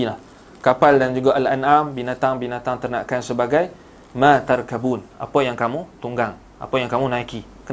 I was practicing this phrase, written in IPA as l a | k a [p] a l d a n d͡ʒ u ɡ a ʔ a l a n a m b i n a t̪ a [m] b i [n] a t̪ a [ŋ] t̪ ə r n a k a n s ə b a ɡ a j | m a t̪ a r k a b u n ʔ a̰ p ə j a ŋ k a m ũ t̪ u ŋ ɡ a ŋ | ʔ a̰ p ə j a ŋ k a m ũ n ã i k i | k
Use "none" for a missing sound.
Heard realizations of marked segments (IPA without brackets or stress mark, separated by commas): p, ŋ, n, ŋ